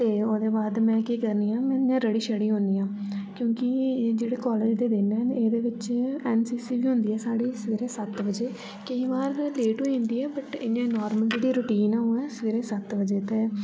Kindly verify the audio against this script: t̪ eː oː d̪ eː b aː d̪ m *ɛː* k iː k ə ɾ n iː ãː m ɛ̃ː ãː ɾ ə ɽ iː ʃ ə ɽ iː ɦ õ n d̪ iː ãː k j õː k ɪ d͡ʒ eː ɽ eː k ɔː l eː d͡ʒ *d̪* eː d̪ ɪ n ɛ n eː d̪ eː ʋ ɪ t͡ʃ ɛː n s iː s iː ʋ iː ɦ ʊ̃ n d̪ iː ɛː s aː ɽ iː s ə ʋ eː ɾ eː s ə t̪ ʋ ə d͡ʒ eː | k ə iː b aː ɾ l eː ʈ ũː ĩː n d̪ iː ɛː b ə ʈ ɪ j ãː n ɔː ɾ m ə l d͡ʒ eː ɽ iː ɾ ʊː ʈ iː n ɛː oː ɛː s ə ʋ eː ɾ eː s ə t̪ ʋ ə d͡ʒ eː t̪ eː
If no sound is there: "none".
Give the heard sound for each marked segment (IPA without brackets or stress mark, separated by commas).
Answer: ɛ̃ː, d̪